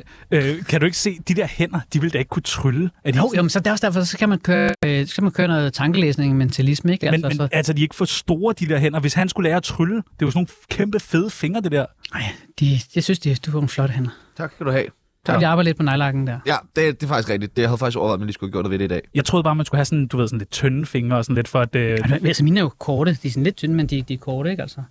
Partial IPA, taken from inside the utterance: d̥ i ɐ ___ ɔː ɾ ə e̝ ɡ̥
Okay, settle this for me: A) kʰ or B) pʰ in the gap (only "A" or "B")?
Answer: A